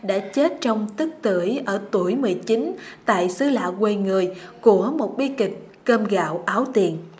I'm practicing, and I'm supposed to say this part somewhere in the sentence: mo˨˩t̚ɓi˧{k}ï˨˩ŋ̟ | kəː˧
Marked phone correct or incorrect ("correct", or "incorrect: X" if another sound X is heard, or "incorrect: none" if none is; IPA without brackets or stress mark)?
correct